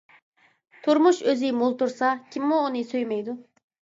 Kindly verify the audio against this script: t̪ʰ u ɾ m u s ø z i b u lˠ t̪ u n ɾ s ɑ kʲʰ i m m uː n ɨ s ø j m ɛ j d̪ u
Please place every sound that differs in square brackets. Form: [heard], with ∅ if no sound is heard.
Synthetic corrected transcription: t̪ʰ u ɾ m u [ʃ] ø z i [m] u lˠ t̪ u [∅] ɾ s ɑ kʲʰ i m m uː n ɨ s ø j m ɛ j d̪ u